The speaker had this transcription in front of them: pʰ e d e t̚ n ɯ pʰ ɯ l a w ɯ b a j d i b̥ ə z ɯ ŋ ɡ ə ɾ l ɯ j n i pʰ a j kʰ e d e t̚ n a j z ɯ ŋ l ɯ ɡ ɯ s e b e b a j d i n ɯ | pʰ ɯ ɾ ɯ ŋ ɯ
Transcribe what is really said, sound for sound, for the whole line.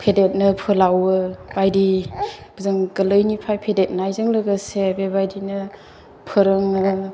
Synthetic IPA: pʰ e d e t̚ n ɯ pʰ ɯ l a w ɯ b a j d i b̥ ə z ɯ ŋ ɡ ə l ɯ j n i pʰ a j pʰ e d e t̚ n a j z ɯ ŋ l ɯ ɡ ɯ s e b e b a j d i n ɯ | pʰ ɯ ɾ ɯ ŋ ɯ